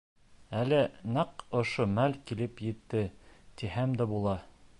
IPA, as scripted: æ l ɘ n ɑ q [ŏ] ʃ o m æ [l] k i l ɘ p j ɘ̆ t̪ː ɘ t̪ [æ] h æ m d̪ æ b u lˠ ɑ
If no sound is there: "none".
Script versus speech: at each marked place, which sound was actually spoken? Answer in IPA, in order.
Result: ŏ, l, i

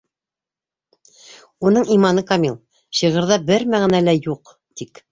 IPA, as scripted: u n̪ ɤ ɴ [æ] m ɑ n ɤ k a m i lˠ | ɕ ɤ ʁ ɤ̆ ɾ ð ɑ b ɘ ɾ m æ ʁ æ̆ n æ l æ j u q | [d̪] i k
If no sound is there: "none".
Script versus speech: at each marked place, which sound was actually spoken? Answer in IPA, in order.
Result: i, t̪

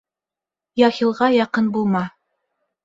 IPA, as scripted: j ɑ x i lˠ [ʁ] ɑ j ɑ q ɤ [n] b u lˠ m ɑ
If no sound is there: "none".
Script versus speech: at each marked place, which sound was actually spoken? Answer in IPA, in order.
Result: ʁ, n

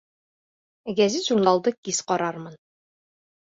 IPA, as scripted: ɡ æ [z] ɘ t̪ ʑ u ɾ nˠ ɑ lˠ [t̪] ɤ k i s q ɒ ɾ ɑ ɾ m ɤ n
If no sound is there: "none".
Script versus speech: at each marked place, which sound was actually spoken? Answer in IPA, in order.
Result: z, d̪

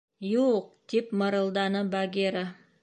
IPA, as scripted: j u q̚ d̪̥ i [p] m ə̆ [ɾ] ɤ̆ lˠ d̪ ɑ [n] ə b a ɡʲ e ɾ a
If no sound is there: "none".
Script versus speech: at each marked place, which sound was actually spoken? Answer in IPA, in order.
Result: p, ɾ, n

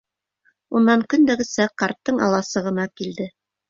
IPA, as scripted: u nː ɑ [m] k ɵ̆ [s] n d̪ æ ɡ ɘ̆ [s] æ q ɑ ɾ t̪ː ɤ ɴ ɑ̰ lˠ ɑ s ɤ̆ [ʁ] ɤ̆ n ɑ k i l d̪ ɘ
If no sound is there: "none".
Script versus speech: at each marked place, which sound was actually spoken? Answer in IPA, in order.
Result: ŋ, none, s, ʁ

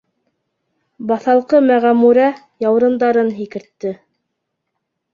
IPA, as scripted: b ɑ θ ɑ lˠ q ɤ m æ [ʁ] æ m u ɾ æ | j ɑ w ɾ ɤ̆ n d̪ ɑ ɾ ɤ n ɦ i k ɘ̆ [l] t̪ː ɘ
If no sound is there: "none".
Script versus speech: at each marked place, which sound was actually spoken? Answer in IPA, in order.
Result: ʁ, ɾ

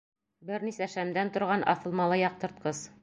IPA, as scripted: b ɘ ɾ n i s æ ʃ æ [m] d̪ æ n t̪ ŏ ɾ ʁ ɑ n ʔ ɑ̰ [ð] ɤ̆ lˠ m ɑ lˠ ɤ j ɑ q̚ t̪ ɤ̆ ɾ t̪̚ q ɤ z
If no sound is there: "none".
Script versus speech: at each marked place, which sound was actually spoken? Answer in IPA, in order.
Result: m, θ

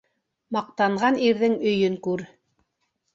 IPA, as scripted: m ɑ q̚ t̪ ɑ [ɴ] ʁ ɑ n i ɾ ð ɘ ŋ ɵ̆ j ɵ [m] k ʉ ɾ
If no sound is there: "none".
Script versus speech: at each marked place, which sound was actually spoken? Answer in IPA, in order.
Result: ɴ, ŋ

